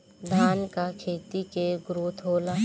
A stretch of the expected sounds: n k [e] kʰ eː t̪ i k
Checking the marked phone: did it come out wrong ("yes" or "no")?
yes